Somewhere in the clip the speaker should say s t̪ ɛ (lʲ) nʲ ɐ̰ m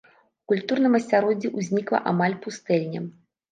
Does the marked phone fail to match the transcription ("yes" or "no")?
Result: no